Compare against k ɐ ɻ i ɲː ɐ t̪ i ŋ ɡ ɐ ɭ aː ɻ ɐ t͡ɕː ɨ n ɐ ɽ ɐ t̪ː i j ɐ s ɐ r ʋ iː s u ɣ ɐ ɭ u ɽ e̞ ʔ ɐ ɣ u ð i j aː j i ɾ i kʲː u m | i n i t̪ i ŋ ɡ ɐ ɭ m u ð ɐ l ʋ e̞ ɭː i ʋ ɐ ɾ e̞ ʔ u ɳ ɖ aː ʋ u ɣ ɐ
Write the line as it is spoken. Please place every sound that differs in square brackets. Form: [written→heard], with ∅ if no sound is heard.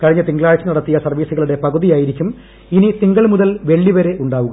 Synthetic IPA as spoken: k ɐ ɻ i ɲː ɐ t̪ i ŋ ɡ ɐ ɭ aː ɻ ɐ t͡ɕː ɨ n ɐ ɽ ɐ t̪ː i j ɐ s ɐ r ʋ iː s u ɣ ɐ ɭ u ɽ e̞ [ʔ→p] ɐ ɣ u ð i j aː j i ɾ i kʲː u m | i n i t̪ i ŋ ɡ ɐ ɭ m u ð ɐ l ʋ e̞ ɭː i ʋ ɐ ɾ e̞ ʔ u ɳ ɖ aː ʋ u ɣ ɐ

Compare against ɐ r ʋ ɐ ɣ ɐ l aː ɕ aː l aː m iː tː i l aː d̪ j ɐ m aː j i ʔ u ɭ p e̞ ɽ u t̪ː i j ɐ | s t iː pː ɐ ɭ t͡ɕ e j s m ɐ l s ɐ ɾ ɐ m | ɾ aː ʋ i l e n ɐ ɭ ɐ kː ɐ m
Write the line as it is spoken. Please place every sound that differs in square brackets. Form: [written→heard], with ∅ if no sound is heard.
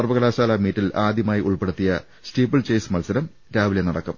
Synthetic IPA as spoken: ɐ r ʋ ɐ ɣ ɐ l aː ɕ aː l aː m iː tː i l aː d̪ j ɐ m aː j i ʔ u ɭ p e̞ ɽ u t̪ː i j ɐ | s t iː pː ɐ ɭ t͡ɕ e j s m ɐ l s ɐ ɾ ɐ m | ɾ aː ʋ i l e n ɐ [ɭ→ɽ] ɐ kː ɐ m

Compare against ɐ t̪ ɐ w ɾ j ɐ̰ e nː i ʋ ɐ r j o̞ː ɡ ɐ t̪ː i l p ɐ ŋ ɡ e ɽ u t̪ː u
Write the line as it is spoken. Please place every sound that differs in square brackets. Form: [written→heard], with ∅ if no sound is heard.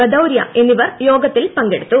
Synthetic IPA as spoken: ɐ [t̪→d̪] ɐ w ɾ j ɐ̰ e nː i ʋ ɐ r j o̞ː ɡ ɐ t̪ː i l p ɐ ŋ ɡ e ɽ u t̪ː u

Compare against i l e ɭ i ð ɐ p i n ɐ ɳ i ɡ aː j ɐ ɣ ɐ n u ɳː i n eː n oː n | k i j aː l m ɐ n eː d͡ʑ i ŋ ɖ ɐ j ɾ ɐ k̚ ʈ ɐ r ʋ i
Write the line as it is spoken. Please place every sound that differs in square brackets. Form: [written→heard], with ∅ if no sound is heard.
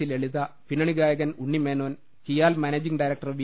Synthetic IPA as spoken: i l e ɭ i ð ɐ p i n ɐ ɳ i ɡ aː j ɐ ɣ ɐ n u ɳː i [n→m] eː n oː n | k i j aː l m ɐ n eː d͡ʑ i ŋ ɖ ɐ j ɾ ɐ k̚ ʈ ɐ r ʋ i

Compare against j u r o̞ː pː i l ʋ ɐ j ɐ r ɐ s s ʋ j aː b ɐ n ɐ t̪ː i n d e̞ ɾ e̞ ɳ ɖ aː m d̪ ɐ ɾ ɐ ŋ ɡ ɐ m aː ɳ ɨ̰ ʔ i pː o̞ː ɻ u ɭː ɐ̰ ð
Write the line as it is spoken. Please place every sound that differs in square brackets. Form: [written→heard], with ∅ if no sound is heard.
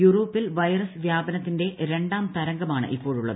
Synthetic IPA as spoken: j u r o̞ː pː i l ʋ ɐ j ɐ r ɐ s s ʋ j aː b ɐ n ɐ t̪ː i n d e̞ ɾ e̞ ɳ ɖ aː m [d̪→t̪] ɐ ɾ ɐ ŋ ɡ ɐ m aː ɳ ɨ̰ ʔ i pː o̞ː ɻ u ɭː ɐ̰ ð

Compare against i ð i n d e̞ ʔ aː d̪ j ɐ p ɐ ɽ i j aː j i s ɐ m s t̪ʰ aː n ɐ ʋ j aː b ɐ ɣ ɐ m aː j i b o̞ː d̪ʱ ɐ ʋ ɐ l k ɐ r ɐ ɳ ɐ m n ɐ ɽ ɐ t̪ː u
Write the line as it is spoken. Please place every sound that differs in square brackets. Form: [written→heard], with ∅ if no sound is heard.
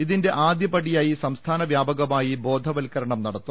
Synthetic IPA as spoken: i ð i n d e̞ ʔ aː d̪ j ɐ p ɐ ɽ i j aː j i s ɐ m s t̪ʰ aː n ɐ ʋ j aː b ɐ ɣ ɐ m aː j i b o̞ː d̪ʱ ɐ ʋ ɐ l k ɐ [r→ɾ] ɐ ɳ ɐ m n ɐ ɽ ɐ t̪ː u

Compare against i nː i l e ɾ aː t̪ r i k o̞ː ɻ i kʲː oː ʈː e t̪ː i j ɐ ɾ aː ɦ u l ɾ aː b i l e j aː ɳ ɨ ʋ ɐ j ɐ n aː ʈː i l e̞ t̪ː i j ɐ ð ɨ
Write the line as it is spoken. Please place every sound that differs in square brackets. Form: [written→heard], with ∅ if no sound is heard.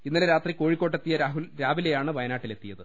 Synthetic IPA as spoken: i nː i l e ɾ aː t̪ r i k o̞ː ɻ i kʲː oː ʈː e t̪ː i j ɐ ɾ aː ɦ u l ɾ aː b i l e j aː ɳ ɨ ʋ ɐ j ɐ n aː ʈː i l e̞ t̪ː i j ɐ ð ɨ

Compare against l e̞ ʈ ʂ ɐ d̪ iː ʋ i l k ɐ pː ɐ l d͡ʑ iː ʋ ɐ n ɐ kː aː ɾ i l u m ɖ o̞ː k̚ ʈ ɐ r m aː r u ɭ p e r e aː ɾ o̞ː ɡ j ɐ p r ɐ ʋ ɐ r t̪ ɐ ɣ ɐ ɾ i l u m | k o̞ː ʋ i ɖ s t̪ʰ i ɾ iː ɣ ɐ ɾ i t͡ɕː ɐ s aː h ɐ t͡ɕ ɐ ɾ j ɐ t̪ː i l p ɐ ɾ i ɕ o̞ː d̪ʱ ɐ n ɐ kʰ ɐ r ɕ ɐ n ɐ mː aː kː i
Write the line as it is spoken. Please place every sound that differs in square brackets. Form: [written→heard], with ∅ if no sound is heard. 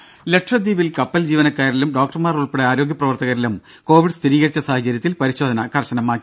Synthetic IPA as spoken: l e̞ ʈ ʂ ɐ d̪ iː ʋ i l k ɐ pː ɐ l d͡ʑ iː ʋ ɐ n ɐ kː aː ɾ i l u m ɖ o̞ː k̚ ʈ ɐ r m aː r u ɭ p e [r→ɽ] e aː ɾ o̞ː ɡ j ɐ p r ɐ ʋ ɐ r t̪ ɐ ɣ ɐ ɾ i l u m | k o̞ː ʋ i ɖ s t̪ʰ i ɾ iː ɣ ɐ ɾ i t͡ɕː ɐ s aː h ɐ t͡ɕ ɐ ɾ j ɐ t̪ː i l p ɐ ɾ i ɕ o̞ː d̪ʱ ɐ n ɐ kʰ ɐ r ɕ ɐ n ɐ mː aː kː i

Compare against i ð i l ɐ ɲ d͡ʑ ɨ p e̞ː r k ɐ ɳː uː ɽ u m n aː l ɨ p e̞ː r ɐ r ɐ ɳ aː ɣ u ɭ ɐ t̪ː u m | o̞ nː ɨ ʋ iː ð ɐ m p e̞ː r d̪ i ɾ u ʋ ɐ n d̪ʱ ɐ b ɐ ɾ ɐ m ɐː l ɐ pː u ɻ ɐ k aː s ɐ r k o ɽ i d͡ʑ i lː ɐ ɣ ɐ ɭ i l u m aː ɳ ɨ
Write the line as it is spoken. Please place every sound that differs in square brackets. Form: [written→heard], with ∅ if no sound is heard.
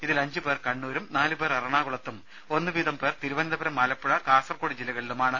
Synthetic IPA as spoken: i ð i l ɐ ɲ d͡ʑ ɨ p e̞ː r k ɐ ɳː uː [ɽ→ɾ] u m n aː l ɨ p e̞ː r ɐ r ɐ ɳ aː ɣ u ɭ ɐ t̪ː u m | o̞ nː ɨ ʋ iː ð ɐ m p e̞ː r [d̪→t̪] i ɾ u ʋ ɐ n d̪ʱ ɐ b ɐ ɾ ɐ m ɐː l ɐ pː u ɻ ɐ k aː s ɐ r k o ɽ i d͡ʑ i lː ɐ ɣ ɐ ɭ i l u m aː ɳ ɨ

